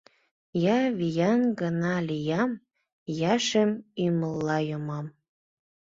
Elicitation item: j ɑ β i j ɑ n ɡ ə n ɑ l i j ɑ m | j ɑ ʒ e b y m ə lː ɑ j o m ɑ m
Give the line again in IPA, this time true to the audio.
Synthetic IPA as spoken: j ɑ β i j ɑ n ɡ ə n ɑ l i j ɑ m | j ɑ ʃ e m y m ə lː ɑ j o m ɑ m